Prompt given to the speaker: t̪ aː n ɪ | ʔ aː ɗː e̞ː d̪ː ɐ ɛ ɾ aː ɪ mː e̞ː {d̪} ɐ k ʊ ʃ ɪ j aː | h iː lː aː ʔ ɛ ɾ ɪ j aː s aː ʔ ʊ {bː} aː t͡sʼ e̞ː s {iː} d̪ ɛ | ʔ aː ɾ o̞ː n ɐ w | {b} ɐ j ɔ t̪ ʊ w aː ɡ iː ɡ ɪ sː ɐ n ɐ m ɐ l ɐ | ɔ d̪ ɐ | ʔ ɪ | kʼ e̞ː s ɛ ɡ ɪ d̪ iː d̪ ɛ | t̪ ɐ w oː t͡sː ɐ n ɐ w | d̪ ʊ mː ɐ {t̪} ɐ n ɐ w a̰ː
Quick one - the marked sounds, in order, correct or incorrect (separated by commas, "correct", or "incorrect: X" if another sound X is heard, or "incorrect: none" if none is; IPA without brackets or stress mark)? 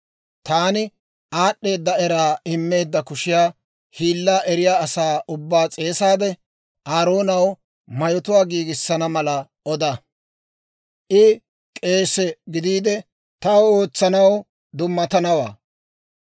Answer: incorrect: d̪ː, correct, incorrect: aː, incorrect: m, correct